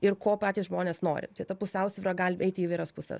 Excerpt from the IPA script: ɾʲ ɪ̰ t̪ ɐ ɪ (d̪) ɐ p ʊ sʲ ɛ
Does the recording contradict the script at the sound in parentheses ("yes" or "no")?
yes